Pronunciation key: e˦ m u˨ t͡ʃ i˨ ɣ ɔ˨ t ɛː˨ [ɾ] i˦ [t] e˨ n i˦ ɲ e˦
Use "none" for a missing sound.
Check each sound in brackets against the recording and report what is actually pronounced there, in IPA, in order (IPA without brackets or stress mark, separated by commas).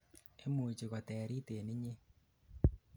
ɾ, t